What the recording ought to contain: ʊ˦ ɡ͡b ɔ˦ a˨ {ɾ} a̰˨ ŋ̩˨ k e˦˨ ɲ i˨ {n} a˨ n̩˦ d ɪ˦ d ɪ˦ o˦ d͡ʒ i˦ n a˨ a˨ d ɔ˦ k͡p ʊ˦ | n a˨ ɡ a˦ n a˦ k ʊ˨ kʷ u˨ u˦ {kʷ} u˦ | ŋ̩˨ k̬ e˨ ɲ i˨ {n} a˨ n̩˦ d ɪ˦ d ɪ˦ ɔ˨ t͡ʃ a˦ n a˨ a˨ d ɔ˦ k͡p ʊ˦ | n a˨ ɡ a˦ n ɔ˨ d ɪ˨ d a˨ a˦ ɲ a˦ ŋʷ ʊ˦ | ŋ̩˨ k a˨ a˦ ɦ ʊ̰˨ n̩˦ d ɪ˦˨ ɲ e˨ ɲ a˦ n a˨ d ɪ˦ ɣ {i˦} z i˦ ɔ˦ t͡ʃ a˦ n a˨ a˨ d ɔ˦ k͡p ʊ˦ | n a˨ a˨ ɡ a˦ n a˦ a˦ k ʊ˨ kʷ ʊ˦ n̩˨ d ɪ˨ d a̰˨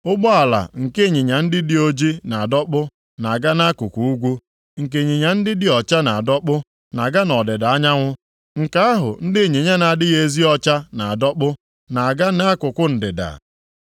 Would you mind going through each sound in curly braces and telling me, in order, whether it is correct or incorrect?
incorrect: l, incorrect: ɲ, incorrect: ɡʷ, incorrect: ɲ, incorrect: e˦

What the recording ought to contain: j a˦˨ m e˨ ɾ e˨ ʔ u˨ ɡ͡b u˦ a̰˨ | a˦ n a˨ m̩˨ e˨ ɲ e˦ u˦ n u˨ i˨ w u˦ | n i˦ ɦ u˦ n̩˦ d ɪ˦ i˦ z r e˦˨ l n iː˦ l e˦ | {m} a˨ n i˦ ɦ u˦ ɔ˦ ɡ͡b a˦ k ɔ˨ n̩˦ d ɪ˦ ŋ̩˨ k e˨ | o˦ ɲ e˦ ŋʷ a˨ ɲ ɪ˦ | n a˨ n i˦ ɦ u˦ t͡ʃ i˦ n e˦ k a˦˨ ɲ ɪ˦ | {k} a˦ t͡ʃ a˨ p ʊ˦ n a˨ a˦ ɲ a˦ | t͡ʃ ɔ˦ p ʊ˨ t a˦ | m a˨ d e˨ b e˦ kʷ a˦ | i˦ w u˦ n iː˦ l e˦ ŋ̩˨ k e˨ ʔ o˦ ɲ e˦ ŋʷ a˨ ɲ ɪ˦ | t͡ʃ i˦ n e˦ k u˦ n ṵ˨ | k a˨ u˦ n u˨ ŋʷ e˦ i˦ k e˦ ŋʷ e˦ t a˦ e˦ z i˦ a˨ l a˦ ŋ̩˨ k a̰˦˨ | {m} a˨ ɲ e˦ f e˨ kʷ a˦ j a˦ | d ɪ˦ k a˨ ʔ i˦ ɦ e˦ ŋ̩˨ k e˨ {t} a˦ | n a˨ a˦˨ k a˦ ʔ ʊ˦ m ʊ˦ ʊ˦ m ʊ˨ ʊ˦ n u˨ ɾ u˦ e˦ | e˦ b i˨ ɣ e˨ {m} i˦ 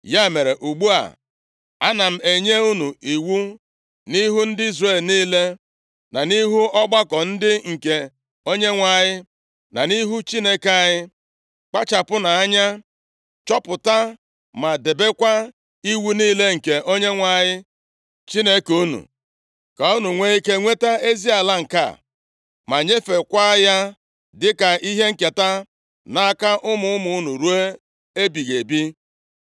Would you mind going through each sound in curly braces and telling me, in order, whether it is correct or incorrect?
incorrect: n, incorrect: k͡p, correct, correct, incorrect: b

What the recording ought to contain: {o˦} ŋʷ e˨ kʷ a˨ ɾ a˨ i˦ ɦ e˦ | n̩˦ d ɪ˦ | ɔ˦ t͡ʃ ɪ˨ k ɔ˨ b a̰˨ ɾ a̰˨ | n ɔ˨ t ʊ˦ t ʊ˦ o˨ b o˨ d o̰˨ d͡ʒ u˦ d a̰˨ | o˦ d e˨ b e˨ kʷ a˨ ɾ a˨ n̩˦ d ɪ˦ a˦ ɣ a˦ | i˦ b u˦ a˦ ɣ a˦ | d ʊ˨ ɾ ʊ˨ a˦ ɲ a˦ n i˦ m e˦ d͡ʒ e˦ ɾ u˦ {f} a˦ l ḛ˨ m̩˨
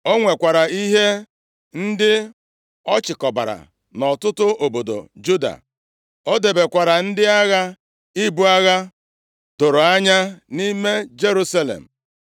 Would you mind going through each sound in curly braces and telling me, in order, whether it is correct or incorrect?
correct, incorrect: s

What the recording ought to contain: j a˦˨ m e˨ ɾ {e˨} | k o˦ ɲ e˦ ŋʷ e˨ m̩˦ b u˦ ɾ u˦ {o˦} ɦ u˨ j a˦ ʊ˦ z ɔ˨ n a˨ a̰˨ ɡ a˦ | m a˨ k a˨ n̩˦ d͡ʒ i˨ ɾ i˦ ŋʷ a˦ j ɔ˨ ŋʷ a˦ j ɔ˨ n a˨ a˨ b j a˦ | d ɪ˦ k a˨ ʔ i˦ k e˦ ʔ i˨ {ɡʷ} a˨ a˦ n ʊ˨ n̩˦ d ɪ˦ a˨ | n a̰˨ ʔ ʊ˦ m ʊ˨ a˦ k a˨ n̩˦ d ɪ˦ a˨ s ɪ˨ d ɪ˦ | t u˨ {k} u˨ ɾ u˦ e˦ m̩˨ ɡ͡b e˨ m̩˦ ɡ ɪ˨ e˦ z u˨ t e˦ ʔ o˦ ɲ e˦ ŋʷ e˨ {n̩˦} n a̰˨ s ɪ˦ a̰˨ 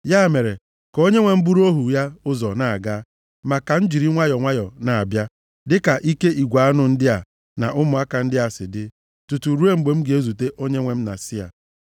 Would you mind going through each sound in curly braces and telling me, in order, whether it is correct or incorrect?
correct, correct, correct, incorrect: t, incorrect: m̩˦

